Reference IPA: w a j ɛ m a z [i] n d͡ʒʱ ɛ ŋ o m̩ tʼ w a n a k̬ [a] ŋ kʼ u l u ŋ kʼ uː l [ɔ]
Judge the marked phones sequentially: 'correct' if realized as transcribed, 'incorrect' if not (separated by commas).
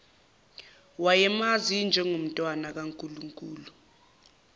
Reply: correct, correct, incorrect